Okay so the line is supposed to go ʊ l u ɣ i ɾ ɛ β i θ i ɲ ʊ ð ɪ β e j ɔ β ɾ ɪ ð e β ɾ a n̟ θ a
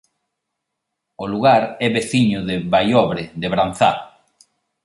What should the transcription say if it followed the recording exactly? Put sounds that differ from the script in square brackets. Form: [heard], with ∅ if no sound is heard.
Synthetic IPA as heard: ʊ l u ɣ [a] ɾ ɛ β [e] θ i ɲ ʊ ð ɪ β [a] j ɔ β ɾ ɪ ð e β ɾ a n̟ θ a